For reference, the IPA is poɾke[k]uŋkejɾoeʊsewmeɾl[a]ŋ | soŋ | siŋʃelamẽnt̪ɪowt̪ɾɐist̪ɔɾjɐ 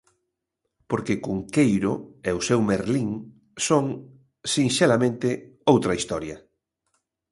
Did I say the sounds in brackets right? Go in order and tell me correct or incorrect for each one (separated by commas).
correct, incorrect